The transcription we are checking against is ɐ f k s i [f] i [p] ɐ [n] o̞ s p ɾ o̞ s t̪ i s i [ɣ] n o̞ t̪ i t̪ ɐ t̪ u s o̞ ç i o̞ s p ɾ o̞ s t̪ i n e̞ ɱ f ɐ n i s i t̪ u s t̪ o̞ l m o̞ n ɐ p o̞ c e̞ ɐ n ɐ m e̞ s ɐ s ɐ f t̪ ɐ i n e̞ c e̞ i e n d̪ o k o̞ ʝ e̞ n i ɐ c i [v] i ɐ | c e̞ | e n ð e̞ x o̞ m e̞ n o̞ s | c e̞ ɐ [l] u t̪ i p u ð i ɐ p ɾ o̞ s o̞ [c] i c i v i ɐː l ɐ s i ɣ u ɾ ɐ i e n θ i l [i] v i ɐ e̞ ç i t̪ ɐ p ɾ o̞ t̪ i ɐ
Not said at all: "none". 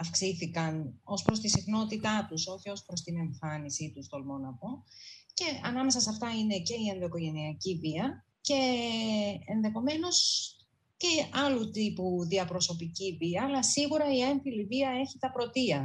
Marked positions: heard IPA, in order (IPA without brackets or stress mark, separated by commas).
θ, k, n, x, v, l, p, i